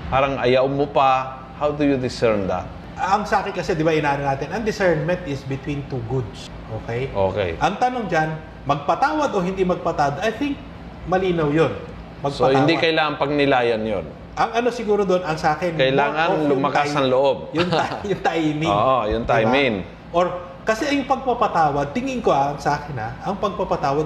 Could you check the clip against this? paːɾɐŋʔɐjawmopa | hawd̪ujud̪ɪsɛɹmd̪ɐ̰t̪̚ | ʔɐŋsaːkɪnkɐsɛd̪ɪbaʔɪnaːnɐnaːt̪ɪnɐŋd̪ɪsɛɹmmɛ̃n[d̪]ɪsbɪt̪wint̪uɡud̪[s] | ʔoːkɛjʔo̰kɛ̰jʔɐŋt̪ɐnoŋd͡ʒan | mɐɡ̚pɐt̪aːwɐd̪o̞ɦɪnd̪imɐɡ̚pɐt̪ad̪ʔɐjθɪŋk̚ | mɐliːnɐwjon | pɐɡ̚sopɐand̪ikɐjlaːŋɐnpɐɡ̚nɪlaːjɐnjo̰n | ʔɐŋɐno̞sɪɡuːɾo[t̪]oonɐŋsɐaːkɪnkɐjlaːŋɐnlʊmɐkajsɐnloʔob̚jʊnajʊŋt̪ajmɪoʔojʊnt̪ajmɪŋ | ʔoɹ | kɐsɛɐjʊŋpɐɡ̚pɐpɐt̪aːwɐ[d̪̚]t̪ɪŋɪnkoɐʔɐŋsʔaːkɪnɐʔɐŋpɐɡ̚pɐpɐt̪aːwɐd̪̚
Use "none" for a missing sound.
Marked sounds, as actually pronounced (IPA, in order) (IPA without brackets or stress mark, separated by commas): t̪, s, d̪, d̪̚